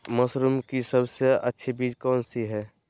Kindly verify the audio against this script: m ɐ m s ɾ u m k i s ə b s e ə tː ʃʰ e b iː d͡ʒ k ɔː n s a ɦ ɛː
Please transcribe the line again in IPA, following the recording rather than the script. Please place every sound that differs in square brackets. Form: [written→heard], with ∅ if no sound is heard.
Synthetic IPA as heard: m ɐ [m→∅] s ɾ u m k i s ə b s e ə tː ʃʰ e b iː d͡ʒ k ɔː n s [a→i] ɦ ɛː